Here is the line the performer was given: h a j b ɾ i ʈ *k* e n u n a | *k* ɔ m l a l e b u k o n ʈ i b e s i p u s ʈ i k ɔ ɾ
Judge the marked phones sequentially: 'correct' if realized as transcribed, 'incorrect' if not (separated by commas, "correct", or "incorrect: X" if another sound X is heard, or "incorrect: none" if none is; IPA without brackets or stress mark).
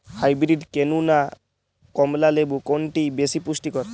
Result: correct, correct